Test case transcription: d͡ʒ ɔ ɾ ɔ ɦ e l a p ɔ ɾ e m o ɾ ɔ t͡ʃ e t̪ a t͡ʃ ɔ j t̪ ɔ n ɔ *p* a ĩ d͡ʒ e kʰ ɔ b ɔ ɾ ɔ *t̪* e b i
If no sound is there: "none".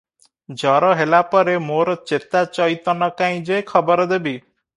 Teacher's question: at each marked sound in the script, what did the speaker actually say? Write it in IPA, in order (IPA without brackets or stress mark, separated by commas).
k, d̪